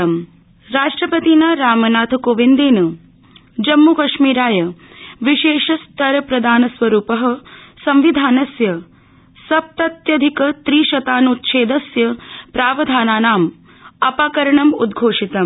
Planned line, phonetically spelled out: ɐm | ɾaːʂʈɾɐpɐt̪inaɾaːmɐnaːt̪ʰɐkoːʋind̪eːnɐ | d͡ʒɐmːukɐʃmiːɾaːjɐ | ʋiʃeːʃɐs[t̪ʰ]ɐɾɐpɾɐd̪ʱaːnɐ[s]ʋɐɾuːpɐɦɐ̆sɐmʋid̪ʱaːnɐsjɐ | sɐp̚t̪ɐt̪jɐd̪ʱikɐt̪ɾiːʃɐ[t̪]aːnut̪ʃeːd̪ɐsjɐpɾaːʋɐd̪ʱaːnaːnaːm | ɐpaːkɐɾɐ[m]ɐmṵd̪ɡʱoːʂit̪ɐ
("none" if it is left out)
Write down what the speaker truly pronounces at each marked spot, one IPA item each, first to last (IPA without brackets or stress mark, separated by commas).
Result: t̪, s, t̪, ɳ